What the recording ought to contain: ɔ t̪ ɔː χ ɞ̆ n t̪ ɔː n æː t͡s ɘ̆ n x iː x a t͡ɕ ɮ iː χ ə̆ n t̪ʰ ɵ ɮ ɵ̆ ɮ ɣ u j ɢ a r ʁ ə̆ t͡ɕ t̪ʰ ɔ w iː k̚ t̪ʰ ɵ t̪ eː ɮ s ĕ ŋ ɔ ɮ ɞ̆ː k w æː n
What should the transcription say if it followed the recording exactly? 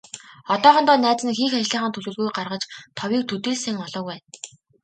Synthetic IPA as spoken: ɔ t̪ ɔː χ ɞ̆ n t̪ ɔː n æː t͡s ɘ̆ n x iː x a t͡ɕ ɮ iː χ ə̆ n t̪ʰ ɵ ɮ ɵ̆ ɮ ɣ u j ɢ a r ʁ ə̆ t͡ɕ t̪ʰ ɔ w iː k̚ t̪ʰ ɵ t̪ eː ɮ s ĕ ŋ ɔ ɮ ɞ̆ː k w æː n